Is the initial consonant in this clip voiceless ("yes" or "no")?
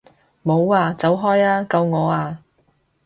no